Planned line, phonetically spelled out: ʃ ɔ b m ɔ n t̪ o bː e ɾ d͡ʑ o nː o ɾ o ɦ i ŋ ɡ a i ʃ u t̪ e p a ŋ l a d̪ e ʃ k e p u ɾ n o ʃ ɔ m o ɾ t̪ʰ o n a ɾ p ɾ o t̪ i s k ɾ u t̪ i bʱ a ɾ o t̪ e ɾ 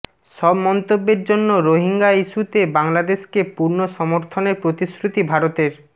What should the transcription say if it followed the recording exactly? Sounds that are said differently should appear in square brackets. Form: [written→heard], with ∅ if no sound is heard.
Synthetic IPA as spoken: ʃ ɔ b m ɔ n t̪ o bː e ɾ d͡ʑ o nː o ɾ o ɦ i ŋ ɡ a i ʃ u t̪ e [p→b] a ŋ l a d̪ e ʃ k e p u ɾ n o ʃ ɔ m o ɾ t̪ʰ o n [a→e] ɾ p ɾ o t̪ i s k ɾ u t̪ i bʱ a ɾ o t̪ e ɾ